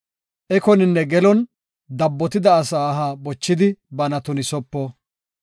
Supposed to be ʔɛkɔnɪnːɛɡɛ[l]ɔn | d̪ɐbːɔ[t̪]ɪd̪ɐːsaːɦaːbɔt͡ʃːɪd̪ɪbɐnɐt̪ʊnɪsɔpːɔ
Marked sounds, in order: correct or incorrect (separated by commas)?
correct, correct